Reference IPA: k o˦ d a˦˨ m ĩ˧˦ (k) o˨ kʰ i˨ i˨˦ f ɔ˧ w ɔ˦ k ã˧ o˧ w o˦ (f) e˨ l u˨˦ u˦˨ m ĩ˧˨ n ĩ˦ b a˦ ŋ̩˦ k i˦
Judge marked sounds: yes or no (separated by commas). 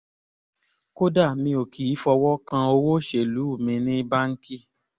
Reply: no, no